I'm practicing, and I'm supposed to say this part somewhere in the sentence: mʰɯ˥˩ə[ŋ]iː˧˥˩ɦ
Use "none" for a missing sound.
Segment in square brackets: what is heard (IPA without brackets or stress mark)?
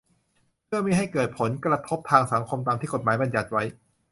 m